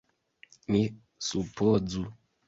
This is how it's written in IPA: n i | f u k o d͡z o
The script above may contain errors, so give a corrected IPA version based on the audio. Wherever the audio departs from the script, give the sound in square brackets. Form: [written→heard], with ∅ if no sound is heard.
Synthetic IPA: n i | [f→s] u [k→p] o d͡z [o→u]